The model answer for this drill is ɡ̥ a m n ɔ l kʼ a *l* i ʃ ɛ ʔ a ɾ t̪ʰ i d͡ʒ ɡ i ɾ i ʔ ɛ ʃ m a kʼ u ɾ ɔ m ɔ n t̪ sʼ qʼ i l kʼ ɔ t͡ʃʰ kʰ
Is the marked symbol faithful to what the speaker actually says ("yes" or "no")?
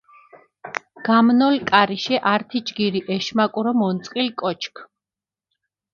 no